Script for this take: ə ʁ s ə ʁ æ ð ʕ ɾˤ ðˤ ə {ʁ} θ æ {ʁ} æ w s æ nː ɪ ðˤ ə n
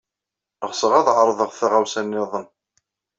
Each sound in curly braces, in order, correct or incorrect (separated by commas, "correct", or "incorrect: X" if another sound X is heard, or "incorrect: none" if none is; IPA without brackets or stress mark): correct, correct